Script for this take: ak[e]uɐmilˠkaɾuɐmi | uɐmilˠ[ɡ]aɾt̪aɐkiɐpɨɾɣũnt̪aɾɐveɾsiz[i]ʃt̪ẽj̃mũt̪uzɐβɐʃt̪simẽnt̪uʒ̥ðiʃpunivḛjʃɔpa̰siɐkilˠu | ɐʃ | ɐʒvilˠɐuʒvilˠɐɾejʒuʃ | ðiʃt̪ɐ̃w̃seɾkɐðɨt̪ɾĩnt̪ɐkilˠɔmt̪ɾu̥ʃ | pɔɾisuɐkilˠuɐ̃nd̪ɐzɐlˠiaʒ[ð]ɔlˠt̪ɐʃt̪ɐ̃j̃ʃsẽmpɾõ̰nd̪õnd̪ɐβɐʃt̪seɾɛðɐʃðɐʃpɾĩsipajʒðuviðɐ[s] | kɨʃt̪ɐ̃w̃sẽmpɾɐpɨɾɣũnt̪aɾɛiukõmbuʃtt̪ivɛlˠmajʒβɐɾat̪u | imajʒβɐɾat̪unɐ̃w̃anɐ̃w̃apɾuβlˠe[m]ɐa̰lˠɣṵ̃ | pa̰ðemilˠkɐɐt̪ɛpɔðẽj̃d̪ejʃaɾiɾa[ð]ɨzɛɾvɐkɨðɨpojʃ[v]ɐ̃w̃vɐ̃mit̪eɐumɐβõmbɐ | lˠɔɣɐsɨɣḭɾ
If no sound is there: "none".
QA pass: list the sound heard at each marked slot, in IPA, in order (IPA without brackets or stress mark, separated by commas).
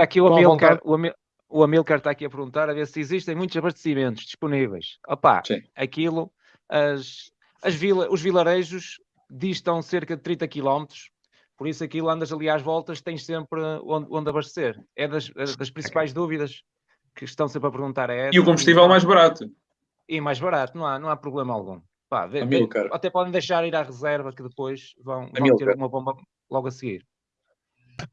i, k, i, v, ʃ, m, ʁ, v